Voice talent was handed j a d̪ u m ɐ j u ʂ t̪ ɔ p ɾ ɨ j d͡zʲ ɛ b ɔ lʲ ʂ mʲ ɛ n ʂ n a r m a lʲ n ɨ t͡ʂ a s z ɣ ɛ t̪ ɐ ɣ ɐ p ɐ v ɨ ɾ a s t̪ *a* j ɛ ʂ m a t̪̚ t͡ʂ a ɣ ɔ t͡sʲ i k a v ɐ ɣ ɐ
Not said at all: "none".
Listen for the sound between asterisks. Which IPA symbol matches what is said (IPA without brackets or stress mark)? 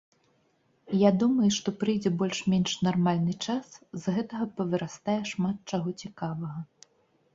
a